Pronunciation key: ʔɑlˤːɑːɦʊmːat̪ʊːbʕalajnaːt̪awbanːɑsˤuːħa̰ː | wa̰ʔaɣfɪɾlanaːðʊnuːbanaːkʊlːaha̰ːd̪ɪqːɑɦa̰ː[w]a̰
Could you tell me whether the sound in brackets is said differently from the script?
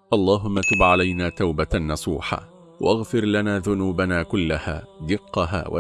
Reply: no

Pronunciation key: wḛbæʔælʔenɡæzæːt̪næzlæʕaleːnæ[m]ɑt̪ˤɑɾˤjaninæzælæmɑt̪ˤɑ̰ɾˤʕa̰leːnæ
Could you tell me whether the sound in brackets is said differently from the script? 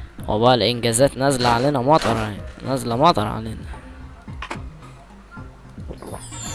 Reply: no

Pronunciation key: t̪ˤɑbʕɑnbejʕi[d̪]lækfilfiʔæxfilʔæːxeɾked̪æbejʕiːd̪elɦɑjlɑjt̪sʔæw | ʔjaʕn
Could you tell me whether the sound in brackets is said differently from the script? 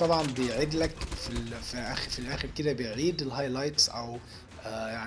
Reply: no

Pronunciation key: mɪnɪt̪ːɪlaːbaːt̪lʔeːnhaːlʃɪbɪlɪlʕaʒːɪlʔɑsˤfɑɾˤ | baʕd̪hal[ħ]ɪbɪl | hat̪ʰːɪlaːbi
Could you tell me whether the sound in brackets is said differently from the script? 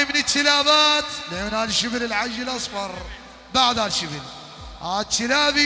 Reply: yes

